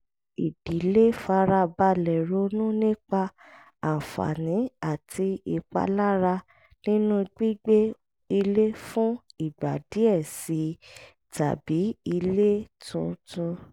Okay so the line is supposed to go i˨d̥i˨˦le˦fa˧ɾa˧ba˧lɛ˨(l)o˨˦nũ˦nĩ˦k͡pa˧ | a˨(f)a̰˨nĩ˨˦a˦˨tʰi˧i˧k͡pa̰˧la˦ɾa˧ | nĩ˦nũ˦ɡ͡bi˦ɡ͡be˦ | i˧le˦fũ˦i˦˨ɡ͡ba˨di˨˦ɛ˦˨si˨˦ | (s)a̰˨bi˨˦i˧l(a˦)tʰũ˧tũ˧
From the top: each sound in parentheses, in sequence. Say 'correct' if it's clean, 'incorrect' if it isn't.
incorrect: ɾ, correct, incorrect: t, incorrect: e˦

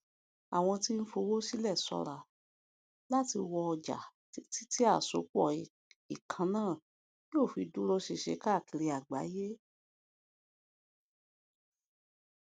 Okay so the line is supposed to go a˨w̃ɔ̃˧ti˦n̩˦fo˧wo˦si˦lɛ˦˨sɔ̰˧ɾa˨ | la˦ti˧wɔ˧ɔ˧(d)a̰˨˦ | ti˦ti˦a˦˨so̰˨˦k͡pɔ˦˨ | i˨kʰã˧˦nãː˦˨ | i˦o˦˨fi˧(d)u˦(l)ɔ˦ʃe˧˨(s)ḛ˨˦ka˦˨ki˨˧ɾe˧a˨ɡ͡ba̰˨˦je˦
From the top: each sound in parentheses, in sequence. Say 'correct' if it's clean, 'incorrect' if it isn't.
incorrect: d͡ʒ, correct, incorrect: ɾ, incorrect: ʃ

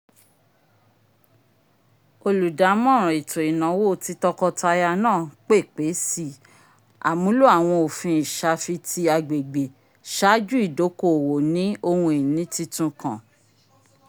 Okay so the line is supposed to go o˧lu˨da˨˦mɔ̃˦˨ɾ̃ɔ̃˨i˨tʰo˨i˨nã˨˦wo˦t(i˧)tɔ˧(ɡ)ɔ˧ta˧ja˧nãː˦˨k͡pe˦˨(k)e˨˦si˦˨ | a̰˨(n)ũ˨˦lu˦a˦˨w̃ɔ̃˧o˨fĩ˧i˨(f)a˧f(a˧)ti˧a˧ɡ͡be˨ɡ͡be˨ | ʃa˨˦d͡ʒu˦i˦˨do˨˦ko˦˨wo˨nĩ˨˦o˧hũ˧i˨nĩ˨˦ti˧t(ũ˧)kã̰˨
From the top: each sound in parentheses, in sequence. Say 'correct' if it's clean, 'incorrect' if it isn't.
correct, incorrect: k, incorrect: k͡p, incorrect: m, incorrect: ʃ, incorrect: i˧, correct

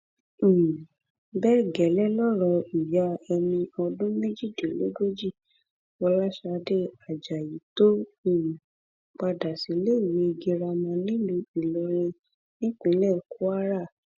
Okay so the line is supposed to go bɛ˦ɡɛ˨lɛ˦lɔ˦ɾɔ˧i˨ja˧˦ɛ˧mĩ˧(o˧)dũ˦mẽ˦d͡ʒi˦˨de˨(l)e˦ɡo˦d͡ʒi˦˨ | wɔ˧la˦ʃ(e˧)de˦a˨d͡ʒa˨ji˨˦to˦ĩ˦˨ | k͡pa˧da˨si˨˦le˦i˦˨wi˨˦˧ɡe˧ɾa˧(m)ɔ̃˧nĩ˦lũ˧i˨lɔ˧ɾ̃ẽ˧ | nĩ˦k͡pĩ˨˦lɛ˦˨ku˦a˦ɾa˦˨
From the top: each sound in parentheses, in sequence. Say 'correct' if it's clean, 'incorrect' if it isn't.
incorrect: ɔ˧, correct, incorrect: a˧, correct

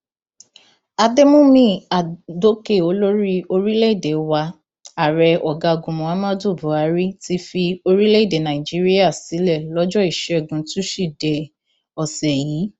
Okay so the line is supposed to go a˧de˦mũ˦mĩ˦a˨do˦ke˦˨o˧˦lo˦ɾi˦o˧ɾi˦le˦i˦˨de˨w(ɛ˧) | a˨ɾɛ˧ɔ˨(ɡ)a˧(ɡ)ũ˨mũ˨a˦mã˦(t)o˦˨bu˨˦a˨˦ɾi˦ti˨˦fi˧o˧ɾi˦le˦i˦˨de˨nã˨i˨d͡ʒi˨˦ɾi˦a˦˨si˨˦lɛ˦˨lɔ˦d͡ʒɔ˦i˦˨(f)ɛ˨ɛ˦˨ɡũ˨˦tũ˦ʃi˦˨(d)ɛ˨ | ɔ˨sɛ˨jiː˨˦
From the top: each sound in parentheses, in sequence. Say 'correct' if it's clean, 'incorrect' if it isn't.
incorrect: a˧, correct, correct, incorrect: d, incorrect: ʃ, correct

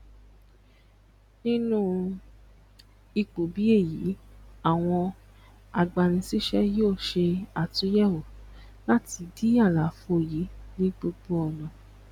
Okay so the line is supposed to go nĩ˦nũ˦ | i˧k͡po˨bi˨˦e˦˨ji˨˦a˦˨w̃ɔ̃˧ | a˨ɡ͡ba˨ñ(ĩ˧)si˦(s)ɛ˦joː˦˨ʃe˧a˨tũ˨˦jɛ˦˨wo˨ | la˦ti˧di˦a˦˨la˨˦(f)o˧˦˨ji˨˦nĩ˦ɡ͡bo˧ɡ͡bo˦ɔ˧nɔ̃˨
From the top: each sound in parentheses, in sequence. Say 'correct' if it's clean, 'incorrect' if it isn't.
correct, incorrect: ʃ, correct

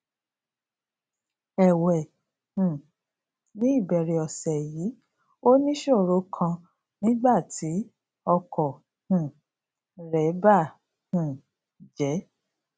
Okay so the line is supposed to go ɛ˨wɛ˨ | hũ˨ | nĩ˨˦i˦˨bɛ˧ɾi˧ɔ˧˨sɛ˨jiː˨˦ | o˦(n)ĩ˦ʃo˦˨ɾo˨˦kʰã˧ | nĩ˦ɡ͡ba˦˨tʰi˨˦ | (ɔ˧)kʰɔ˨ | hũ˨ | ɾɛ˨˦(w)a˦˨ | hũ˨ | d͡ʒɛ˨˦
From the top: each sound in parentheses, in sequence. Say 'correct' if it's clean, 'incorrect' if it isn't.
correct, correct, incorrect: b

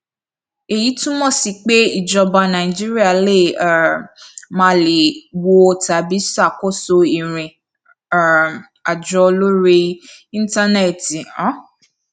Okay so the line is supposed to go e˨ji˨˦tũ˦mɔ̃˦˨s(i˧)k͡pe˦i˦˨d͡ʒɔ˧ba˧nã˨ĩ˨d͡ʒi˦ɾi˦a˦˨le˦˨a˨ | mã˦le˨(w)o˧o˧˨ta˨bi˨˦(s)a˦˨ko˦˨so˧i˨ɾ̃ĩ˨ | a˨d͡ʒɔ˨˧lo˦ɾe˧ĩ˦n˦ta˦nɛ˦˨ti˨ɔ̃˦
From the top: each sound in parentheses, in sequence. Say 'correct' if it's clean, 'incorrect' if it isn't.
correct, correct, correct

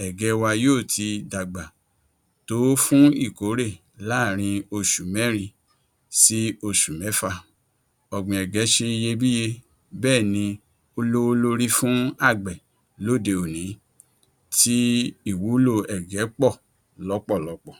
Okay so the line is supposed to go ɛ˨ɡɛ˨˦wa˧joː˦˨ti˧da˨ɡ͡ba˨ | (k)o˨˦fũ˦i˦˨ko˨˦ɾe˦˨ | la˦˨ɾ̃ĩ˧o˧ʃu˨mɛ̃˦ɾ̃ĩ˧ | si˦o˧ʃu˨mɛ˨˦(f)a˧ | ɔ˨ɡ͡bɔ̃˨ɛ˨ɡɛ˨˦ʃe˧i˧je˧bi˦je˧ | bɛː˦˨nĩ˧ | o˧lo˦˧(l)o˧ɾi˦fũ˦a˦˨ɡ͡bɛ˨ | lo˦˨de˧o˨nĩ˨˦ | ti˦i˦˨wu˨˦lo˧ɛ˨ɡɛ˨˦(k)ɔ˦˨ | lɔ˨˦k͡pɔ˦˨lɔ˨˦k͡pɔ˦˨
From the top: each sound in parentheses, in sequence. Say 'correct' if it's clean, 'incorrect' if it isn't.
incorrect: t, correct, correct, incorrect: k͡p

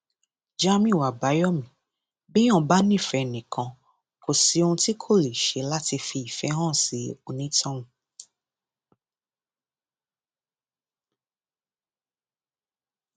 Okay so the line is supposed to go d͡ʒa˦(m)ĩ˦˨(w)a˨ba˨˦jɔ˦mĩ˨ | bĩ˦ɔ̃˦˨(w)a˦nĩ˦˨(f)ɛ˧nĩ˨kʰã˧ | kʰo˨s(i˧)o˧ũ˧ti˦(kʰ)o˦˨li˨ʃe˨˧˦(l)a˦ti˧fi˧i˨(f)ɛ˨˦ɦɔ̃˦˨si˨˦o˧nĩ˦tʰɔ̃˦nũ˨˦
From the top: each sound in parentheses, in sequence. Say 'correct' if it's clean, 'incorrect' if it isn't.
correct, correct, incorrect: b, correct, correct, correct, correct, correct

